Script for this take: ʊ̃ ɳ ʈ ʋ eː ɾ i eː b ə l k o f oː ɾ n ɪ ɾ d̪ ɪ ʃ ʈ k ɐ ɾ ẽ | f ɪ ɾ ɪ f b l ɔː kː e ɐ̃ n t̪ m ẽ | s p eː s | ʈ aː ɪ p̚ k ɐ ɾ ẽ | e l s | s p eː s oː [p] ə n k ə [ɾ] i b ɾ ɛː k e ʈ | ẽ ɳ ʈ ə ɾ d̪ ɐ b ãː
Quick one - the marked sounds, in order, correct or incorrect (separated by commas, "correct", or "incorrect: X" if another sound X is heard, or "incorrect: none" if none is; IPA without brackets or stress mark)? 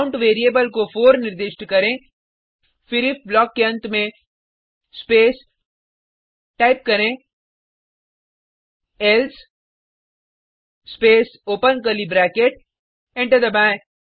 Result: correct, incorrect: l